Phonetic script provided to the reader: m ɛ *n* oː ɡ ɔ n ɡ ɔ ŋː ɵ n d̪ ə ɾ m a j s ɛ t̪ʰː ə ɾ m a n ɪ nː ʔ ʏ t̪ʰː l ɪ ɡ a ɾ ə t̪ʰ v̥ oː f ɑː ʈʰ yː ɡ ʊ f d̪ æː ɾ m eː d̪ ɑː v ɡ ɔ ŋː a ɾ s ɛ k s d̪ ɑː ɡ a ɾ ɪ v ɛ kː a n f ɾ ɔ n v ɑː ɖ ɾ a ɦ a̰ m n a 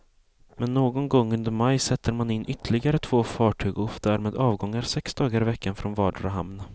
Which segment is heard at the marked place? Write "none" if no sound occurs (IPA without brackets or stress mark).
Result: nː